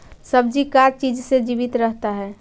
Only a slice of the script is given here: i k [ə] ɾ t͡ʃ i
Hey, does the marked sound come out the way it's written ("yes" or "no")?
no